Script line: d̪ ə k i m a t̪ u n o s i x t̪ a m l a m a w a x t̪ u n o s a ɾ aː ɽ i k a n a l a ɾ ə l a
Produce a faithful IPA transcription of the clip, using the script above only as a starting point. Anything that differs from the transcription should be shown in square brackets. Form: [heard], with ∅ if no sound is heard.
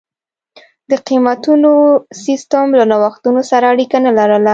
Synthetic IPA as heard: d̪ ə [q] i m a t̪ u n o s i [s] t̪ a m l a [n] a w a x t̪ u n o s a ɾ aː ɽ i k a n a l a ɾ ə l a